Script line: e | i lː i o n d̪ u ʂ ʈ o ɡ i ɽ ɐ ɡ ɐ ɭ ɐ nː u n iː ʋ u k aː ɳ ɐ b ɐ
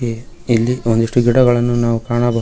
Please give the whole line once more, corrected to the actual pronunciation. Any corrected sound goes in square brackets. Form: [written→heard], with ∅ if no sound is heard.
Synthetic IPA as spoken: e | i lː i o n d̪ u ʂ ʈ [o→u] ɡ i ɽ ɐ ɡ ɐ ɭ ɐ nː u n [iː→aː] ʋ u k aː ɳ ɐ b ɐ